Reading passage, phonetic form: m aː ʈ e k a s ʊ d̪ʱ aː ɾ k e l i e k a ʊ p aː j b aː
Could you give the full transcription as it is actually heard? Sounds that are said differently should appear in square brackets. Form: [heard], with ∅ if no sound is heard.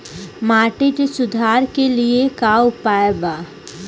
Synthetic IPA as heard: m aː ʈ e k [e] s ʊ d̪ʱ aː ɾ k e l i e k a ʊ p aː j b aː